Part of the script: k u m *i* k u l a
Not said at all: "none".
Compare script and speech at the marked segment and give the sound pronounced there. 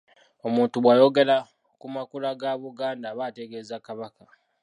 a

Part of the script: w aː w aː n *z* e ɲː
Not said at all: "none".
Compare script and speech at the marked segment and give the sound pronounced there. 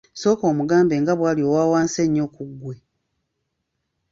s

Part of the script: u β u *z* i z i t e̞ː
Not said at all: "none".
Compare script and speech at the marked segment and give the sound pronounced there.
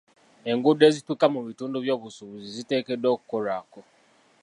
z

